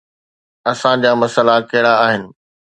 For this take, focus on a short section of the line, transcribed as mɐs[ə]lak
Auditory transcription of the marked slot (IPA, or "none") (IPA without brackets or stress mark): ə